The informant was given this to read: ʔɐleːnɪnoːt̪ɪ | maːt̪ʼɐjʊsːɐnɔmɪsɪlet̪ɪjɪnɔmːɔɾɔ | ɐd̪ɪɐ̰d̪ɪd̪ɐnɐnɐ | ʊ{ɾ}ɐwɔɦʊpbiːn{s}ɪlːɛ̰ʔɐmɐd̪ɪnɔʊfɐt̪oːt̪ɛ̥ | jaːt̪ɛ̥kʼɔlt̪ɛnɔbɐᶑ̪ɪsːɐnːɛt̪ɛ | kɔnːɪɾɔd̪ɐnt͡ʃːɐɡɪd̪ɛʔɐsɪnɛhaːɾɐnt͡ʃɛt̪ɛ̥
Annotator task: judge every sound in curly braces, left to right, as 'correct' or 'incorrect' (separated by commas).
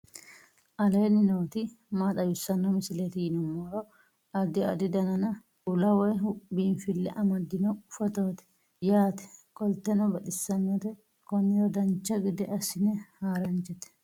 incorrect, incorrect